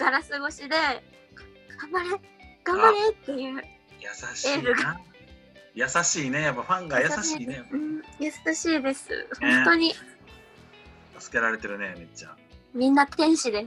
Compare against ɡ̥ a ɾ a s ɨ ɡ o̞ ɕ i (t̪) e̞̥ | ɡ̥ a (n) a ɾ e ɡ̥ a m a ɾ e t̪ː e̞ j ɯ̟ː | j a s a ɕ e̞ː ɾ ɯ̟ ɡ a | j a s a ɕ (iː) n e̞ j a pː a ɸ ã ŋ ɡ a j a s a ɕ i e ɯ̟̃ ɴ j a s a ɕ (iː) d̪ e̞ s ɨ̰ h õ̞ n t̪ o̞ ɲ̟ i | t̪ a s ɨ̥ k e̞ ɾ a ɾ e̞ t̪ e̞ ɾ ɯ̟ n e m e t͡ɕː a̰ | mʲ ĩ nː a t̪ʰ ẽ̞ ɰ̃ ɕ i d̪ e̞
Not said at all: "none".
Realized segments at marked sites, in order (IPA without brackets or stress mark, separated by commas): d̪, m, iː, iː